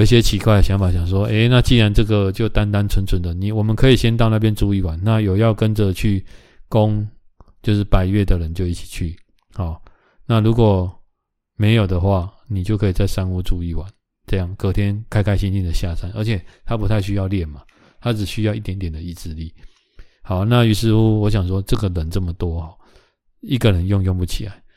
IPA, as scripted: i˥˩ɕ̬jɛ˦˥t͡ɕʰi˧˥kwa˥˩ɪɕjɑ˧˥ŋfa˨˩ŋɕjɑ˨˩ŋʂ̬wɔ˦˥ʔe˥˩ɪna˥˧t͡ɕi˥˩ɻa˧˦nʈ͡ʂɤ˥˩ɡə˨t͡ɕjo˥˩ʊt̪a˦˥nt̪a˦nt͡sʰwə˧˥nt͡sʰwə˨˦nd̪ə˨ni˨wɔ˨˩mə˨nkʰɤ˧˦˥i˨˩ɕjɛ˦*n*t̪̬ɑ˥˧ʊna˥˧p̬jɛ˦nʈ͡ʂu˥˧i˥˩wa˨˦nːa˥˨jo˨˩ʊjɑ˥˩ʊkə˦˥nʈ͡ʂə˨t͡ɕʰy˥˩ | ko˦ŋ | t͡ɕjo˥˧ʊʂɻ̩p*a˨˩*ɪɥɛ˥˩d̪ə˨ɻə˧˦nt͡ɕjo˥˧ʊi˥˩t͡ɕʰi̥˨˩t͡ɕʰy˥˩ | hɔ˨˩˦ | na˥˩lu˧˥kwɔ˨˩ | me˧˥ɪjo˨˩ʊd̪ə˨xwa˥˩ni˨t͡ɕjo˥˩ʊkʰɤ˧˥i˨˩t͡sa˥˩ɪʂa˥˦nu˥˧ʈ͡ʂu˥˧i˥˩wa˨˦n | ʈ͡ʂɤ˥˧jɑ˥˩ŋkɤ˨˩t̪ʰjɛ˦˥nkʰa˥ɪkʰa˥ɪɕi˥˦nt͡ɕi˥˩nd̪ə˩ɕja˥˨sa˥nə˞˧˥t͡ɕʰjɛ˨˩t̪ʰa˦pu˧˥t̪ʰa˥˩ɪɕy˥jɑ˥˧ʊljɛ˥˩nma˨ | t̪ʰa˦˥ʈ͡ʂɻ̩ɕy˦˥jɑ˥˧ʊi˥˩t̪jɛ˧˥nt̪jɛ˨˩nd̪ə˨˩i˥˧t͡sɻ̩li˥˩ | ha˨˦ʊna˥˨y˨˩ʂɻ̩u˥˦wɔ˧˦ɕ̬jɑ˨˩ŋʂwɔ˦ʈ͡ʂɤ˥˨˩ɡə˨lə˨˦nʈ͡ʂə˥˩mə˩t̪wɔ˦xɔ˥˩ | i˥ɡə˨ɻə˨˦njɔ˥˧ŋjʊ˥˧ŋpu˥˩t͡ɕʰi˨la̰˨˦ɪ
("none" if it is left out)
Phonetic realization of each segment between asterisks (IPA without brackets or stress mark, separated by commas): n, a˨˩